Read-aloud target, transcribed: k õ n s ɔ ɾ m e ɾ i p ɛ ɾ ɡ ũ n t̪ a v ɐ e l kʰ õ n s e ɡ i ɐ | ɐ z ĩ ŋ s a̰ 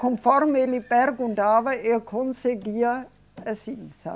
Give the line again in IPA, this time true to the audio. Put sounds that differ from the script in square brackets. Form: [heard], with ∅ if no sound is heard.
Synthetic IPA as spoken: k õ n [f] ɔ ɾ m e [l] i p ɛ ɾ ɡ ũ n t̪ a v ɐ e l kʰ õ n s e ɡ i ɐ | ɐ [s] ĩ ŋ s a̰